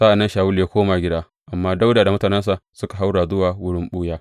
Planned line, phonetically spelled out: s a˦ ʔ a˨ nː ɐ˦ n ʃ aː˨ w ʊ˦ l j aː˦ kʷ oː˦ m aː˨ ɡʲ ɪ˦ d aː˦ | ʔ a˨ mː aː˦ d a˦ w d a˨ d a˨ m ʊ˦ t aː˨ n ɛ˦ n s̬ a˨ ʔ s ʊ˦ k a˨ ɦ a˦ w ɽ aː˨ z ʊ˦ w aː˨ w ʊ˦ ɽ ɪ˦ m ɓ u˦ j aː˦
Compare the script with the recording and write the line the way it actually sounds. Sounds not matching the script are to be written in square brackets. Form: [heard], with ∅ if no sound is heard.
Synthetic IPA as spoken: s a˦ ʔ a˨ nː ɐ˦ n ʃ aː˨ w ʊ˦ l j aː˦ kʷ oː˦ m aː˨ ɡʲ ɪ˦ d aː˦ | ʔ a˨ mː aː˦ d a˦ w d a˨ d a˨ m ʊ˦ t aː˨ n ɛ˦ n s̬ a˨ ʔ s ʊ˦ k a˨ ɦ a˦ w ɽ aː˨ z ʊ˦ w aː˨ w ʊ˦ ɽ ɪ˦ m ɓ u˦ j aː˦

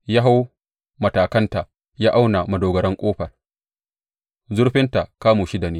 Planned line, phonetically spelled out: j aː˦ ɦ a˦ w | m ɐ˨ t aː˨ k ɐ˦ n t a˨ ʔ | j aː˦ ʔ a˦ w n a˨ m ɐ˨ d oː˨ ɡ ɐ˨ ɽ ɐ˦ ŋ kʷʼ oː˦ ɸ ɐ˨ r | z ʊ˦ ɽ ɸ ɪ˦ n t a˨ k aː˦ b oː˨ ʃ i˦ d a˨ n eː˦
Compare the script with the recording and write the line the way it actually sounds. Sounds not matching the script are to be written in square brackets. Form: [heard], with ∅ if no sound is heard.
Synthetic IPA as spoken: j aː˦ ɦ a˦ w | m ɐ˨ t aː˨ k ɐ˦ n t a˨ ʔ | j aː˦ ʔ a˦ w n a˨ m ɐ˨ d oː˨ ɡ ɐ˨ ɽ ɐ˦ ŋ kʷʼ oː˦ ɸ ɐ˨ r | z ʊ˦ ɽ ɸ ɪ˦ n t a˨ k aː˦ [m] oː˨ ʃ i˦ d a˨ n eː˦

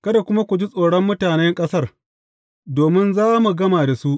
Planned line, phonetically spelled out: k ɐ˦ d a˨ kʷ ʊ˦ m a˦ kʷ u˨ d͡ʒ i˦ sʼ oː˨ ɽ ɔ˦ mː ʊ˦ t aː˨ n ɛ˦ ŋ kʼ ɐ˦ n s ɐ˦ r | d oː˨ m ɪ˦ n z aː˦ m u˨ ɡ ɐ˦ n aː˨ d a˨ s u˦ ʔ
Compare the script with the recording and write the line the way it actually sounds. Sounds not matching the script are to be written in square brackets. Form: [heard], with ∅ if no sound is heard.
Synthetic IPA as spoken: k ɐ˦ d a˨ kʷ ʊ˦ m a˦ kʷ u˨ d͡ʒ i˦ sʼ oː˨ ɽ ɔ˦ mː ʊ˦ t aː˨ n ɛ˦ ŋ kʼ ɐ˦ [∅] s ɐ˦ r | d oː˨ m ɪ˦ n z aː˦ m u˨ ɡ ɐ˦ [m] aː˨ d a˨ s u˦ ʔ

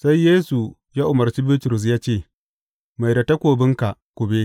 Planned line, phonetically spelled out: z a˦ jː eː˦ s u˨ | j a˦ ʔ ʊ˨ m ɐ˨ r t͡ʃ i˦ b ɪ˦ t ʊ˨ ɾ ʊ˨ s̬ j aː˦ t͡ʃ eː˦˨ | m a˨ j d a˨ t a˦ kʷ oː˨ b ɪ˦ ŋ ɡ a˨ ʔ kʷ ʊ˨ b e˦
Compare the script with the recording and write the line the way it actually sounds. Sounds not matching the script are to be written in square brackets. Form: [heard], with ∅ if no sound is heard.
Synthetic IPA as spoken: [s] a˦ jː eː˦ s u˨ | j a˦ ʔ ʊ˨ m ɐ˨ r t͡ʃ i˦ b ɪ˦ t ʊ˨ ɾ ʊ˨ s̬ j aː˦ t͡ʃ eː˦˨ | m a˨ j d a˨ t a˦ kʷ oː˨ b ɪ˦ ŋ [k] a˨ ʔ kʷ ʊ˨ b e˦

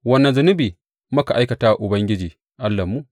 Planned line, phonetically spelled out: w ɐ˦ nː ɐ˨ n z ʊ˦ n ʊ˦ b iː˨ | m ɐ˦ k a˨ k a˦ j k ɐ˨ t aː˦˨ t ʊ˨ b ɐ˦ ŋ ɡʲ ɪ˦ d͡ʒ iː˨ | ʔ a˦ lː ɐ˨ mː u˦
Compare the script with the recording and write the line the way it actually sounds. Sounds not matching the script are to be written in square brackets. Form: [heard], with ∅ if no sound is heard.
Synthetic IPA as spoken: w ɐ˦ nː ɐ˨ n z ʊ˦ n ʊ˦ b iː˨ | m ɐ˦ k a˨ [ʔ] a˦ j k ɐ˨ t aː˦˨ [ʔ] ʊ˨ b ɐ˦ ŋ ɡʲ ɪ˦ d͡ʒ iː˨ | ʔ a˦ lː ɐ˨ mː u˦

